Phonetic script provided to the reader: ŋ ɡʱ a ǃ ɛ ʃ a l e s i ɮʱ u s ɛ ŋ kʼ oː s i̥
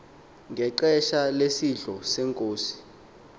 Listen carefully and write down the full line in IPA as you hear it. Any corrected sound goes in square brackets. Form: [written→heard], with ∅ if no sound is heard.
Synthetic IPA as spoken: ŋ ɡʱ [a→ɛ] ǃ ɛ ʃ a l e s i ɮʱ [u→ɔ] s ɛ ŋ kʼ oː s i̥